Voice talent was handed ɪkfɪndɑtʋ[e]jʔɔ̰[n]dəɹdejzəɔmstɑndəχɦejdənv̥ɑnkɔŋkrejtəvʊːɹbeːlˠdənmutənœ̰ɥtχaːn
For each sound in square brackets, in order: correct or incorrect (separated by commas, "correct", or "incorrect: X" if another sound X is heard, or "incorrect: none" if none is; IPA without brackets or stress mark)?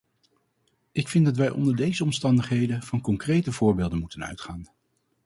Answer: incorrect: ɛ, correct